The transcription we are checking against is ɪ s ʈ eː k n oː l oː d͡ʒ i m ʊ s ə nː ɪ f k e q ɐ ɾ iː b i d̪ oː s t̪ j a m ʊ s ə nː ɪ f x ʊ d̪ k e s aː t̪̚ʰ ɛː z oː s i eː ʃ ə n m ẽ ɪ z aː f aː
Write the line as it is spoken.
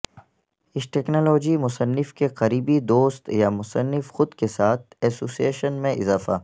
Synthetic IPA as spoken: ɪ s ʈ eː k n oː l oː d͡ʒ i m ʊ s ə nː ɪ f k e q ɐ ɾ iː b i d̪ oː s t̪ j a m ʊ s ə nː ɪ f x ʊ d̪ k e s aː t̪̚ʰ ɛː s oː s i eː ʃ ə n m ẽ ɪ z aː f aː